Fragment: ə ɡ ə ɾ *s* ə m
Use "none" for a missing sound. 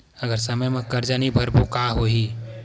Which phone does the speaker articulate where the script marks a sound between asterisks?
s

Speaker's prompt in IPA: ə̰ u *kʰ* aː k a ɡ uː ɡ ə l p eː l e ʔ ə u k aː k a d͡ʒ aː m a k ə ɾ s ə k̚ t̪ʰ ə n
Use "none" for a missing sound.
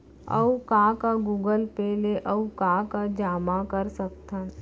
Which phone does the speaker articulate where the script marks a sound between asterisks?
k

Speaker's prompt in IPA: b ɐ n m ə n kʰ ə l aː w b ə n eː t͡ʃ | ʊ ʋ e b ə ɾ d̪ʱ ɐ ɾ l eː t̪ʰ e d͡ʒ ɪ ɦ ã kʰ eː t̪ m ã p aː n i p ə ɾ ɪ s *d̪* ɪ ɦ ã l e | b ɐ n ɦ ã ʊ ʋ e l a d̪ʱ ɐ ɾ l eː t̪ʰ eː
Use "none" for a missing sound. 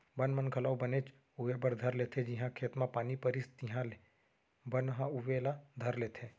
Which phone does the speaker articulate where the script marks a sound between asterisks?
t̪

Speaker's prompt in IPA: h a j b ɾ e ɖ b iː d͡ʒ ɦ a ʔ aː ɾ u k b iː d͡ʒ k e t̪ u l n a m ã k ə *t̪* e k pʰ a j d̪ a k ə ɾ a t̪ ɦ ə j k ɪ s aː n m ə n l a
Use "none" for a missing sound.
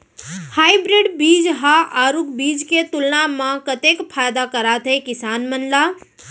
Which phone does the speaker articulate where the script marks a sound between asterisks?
t̪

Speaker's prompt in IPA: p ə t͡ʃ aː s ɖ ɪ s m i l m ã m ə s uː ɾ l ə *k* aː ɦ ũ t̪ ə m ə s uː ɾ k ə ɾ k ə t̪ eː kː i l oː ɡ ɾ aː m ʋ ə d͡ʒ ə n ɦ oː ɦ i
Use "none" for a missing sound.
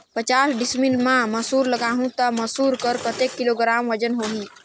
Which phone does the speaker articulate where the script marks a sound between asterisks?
ɡ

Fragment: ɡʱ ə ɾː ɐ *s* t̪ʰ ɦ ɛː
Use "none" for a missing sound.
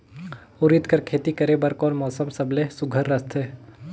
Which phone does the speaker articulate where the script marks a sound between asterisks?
s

